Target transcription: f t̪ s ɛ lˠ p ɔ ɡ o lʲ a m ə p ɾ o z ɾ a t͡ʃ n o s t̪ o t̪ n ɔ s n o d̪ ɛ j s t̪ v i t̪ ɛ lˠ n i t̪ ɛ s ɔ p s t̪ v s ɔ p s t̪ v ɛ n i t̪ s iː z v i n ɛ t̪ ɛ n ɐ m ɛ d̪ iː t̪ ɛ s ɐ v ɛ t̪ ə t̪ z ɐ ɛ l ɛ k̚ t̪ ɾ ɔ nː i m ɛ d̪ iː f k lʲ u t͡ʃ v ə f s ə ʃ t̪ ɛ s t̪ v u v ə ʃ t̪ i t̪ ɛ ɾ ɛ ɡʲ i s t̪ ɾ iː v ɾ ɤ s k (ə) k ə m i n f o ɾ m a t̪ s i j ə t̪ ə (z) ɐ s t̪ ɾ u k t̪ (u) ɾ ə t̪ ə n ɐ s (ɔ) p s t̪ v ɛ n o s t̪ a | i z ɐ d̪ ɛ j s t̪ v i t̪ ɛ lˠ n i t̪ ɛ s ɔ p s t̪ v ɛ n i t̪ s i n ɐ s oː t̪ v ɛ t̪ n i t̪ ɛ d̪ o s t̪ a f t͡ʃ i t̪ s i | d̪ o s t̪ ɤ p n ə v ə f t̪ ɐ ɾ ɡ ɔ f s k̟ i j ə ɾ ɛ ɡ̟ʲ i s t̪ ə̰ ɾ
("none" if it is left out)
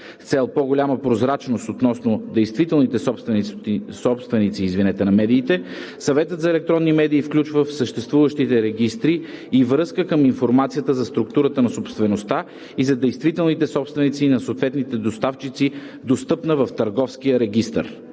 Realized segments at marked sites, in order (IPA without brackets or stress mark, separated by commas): ə, z, u, o